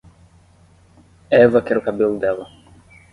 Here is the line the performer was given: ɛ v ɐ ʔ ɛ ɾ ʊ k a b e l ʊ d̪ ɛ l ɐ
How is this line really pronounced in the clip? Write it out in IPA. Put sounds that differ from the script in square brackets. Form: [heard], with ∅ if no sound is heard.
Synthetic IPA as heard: ɛ v ɐ [k] ɛ ɾ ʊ k a b e l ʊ d̪ ɛ l ɐ